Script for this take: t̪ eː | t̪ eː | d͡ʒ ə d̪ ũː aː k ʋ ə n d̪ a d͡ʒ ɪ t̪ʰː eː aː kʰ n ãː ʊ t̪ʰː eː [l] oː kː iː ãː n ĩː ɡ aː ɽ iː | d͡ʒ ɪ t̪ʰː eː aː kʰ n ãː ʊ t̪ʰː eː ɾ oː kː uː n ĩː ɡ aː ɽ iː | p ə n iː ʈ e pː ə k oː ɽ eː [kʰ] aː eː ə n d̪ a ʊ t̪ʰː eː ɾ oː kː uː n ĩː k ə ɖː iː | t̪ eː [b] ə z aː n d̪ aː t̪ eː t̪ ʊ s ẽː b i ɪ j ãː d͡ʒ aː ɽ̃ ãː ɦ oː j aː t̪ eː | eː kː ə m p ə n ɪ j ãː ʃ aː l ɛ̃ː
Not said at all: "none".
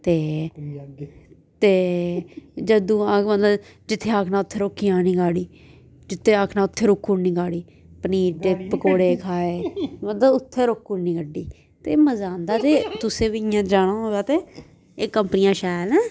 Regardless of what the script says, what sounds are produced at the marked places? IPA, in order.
ɾ, kʰ, m

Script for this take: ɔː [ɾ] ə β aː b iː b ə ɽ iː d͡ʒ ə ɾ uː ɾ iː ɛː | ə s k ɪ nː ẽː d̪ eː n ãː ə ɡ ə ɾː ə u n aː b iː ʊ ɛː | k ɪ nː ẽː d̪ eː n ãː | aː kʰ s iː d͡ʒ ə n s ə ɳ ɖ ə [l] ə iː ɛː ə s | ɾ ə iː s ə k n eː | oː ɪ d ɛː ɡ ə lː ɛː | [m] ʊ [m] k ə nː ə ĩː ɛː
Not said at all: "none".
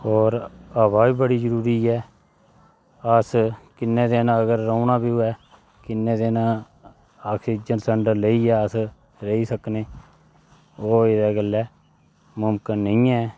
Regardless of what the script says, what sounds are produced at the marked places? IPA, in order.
ɾ, l, m, m

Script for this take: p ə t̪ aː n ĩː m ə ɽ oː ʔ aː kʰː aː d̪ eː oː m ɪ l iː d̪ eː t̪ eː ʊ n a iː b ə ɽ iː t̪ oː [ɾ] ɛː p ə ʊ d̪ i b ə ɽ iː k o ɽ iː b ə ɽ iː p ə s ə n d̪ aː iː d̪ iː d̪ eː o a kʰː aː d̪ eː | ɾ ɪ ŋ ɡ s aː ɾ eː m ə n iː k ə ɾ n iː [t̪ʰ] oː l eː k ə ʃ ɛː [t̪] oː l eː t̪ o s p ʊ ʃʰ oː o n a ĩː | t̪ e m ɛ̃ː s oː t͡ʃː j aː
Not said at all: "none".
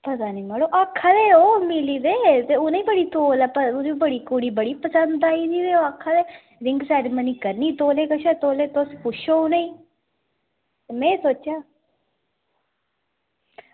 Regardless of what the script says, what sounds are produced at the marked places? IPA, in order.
l, t̪, t̪

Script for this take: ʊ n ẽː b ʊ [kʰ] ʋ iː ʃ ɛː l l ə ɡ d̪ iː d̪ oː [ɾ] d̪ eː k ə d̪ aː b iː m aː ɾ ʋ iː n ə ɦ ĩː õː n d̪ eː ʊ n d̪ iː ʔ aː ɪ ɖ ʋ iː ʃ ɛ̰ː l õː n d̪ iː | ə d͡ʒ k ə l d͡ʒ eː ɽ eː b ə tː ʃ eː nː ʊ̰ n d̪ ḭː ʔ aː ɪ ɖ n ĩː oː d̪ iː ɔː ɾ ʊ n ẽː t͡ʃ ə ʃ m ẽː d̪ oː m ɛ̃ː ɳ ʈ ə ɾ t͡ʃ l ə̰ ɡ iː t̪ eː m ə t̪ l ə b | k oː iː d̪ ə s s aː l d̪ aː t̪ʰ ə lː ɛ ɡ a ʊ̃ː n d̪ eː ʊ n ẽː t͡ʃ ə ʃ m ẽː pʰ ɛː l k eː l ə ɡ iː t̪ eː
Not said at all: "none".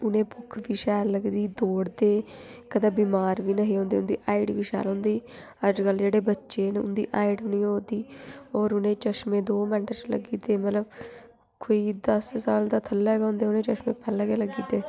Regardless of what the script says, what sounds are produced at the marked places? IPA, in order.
kʰ, ɽ

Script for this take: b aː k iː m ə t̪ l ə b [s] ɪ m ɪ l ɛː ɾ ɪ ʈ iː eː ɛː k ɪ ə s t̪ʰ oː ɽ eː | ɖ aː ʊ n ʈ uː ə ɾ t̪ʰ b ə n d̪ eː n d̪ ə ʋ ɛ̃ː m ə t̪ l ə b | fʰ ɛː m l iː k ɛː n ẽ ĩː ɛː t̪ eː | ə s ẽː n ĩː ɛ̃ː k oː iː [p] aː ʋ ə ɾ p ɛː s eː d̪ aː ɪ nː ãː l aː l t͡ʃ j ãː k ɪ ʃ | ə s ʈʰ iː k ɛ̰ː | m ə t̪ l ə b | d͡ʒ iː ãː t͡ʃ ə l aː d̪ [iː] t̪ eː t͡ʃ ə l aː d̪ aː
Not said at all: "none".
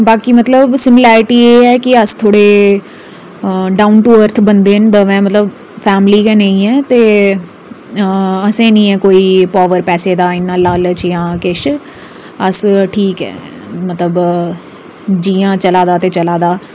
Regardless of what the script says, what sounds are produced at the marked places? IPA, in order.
s, p, aː

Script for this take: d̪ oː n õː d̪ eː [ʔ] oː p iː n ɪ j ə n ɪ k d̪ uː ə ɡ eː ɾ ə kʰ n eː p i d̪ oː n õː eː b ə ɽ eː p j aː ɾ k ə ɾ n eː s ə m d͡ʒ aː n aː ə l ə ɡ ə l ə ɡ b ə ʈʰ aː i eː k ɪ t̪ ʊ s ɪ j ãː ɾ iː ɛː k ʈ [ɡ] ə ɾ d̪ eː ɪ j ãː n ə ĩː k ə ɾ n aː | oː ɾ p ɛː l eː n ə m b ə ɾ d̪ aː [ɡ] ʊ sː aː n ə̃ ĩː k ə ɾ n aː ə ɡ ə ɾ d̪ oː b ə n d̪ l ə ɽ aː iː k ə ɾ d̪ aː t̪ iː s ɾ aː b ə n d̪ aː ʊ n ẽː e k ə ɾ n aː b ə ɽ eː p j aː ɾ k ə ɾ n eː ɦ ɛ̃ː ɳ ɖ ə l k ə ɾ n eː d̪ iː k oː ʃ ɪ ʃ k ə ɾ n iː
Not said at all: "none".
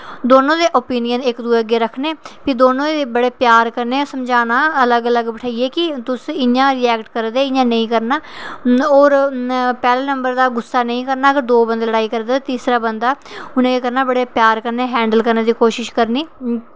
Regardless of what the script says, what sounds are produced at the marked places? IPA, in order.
ʔ, k, ɡ

